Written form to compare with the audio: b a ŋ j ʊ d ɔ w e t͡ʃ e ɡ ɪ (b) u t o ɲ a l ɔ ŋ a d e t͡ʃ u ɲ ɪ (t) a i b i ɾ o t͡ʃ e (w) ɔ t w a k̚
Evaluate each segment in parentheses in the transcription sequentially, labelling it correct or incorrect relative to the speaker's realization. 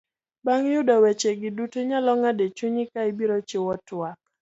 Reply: incorrect, incorrect, correct

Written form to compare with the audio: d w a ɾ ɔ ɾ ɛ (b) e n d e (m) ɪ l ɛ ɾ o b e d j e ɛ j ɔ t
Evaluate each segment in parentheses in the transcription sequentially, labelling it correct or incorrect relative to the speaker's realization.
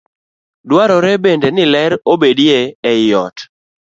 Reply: correct, incorrect

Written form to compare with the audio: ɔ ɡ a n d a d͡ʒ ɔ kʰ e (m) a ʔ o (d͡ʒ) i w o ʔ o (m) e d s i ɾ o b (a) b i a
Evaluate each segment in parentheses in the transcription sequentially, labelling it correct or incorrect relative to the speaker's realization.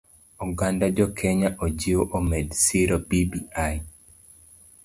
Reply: incorrect, correct, correct, incorrect

